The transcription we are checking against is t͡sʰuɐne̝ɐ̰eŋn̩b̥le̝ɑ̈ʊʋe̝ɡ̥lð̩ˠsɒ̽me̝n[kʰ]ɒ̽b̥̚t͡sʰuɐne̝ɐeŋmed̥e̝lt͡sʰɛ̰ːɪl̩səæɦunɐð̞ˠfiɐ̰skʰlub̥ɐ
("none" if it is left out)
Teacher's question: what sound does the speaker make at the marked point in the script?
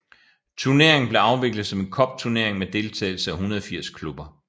kʰ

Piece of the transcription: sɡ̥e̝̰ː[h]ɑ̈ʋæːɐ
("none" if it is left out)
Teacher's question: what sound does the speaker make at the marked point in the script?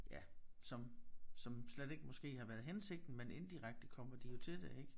h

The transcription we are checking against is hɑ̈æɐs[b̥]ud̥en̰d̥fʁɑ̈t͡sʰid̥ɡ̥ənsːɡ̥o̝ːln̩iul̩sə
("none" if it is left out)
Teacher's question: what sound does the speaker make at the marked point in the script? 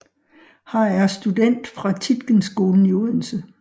d̥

